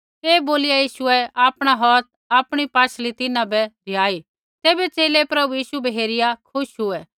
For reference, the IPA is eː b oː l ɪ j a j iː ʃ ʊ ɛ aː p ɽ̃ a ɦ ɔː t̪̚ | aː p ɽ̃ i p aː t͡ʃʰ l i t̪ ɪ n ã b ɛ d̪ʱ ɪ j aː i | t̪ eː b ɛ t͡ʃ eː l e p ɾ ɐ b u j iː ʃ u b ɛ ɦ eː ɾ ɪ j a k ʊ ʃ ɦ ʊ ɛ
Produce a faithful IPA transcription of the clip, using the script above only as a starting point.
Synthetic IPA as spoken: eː b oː l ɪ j a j iː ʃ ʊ ɛ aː p ɽ̃ a ɦ ɔː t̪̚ | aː p ɽ̃ i p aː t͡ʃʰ l i t̪ ɪ n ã b ɛ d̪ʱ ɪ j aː i | t̪ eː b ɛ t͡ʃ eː l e p ɾ ɐ b u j iː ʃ u b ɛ ɦ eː ɾ ɪ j a kʰ ʊ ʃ ɦ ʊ ɛ